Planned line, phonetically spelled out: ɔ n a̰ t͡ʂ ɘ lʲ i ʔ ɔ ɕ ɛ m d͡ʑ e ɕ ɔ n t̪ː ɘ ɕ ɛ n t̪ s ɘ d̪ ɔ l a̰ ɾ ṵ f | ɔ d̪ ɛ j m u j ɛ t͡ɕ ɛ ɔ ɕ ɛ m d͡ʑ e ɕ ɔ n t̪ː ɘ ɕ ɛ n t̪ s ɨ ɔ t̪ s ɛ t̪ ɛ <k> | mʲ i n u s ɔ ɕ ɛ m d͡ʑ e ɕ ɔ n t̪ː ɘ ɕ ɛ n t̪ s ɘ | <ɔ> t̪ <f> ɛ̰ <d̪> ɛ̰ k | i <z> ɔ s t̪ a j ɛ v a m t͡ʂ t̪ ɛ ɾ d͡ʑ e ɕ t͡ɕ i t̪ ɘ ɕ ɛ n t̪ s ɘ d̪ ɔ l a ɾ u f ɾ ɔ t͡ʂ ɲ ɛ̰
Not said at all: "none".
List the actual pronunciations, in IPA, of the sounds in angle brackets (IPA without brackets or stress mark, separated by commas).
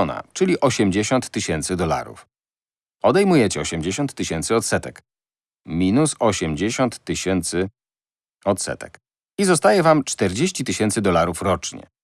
k, ɔ, s, t̪, z